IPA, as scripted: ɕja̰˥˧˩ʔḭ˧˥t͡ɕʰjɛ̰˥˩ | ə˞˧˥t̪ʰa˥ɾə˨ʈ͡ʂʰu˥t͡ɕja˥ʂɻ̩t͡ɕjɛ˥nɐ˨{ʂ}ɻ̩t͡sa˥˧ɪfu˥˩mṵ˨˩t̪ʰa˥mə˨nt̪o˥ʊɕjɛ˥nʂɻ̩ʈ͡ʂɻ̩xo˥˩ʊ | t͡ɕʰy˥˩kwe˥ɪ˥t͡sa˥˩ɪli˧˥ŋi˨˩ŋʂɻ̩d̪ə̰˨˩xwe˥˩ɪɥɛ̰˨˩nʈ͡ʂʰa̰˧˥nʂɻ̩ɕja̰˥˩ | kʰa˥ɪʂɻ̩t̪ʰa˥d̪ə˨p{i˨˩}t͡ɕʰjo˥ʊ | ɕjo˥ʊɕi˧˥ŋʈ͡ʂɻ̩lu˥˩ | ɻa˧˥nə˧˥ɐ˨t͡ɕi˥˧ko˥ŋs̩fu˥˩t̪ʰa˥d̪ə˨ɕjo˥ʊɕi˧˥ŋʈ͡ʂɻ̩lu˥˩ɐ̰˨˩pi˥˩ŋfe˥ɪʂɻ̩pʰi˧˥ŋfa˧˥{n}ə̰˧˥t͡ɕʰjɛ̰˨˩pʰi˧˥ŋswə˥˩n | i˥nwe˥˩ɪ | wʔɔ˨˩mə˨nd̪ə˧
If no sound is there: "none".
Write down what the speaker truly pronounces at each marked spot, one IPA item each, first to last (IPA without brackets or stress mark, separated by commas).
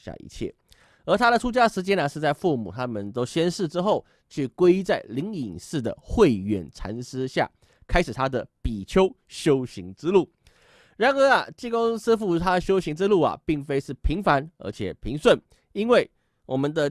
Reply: ʂ, i˨˩, n